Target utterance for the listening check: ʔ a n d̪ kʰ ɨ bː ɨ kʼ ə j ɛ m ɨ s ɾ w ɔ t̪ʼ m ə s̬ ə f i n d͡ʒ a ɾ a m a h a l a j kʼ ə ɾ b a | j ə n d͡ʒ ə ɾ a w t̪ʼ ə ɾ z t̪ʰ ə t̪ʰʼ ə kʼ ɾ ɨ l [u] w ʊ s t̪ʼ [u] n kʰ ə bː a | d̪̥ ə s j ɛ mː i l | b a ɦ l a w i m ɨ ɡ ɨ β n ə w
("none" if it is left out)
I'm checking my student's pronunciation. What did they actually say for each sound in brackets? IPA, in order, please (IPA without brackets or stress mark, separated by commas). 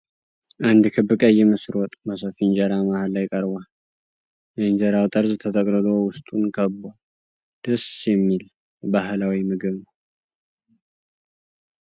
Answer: o, u